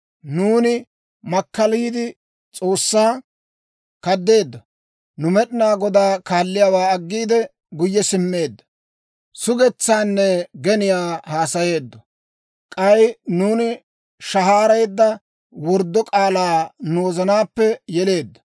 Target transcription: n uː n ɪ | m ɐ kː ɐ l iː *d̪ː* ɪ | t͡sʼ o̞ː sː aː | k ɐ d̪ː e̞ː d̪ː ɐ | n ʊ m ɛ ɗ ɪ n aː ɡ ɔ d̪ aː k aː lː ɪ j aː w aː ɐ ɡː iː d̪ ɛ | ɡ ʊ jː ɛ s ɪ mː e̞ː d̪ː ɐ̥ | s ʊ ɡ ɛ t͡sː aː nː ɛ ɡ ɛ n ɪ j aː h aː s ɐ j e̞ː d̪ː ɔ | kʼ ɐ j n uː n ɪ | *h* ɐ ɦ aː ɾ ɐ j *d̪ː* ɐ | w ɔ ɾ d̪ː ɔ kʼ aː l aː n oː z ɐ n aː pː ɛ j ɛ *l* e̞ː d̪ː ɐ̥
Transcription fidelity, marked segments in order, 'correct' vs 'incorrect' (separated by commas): incorrect, incorrect, correct, correct